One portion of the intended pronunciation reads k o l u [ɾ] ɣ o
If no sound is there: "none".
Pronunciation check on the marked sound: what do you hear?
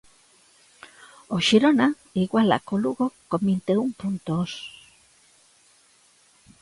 none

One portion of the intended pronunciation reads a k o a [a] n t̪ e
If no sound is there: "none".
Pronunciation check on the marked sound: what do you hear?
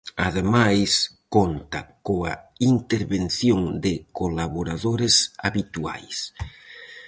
i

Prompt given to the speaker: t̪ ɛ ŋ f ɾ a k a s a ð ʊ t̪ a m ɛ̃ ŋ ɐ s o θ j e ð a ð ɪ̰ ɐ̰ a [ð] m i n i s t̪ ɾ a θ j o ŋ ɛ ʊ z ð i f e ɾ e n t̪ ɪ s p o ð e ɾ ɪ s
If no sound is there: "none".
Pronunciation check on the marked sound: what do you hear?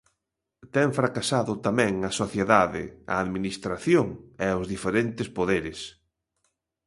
ð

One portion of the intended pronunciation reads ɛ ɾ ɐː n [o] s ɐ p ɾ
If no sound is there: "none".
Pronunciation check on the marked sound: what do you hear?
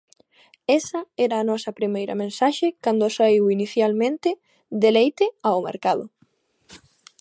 ɔ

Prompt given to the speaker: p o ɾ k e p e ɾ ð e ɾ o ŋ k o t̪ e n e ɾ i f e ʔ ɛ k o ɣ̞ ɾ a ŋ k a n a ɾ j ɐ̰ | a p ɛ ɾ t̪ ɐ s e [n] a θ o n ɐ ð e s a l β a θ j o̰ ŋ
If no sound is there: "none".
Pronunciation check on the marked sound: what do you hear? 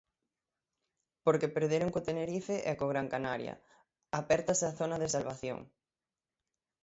none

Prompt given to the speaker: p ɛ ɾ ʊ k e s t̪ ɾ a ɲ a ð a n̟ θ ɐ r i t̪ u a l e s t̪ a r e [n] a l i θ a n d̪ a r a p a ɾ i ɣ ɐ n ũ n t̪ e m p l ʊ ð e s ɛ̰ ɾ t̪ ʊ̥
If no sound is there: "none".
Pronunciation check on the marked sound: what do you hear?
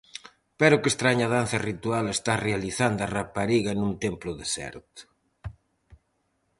none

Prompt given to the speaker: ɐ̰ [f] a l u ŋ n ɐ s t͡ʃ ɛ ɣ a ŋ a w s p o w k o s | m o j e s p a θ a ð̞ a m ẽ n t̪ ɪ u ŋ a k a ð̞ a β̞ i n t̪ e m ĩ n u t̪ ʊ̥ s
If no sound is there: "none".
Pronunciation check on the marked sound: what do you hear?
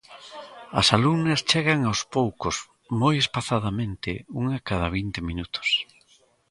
s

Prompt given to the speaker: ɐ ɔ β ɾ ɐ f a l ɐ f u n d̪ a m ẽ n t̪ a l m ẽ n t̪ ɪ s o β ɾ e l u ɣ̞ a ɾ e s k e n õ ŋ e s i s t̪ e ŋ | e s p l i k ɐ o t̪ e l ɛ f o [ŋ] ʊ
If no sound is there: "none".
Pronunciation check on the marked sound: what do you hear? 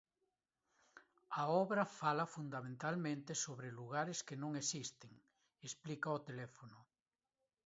n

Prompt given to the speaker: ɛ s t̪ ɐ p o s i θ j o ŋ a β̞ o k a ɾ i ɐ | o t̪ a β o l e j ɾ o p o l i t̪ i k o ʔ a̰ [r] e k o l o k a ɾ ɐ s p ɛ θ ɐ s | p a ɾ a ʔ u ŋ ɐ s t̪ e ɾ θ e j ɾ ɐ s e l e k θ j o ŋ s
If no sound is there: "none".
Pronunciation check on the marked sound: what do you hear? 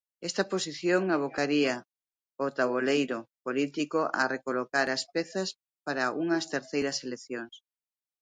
r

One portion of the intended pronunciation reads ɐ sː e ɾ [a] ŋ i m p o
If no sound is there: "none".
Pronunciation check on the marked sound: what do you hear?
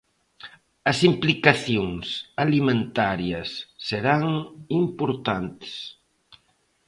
a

